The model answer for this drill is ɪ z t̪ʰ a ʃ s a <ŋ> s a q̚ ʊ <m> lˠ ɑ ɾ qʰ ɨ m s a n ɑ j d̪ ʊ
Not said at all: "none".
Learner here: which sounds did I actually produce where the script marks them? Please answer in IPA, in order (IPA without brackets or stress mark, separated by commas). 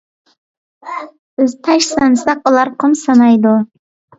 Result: n, none